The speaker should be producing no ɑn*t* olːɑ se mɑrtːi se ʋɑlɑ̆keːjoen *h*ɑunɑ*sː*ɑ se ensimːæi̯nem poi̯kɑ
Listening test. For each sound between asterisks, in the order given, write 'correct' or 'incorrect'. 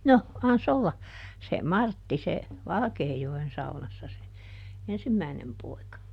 incorrect: s, incorrect: s, correct

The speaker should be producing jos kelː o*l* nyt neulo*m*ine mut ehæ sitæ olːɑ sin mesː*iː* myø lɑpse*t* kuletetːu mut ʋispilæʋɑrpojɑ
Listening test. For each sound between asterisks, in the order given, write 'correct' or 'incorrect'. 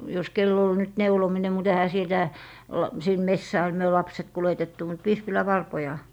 correct, correct, incorrect: æː, correct

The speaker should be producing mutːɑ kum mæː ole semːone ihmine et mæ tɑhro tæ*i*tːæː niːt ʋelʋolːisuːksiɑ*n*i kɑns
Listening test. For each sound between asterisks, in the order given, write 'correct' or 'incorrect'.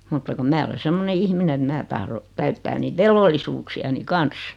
incorrect: y, correct

